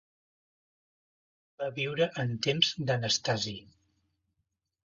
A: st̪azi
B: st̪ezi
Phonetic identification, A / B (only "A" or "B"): A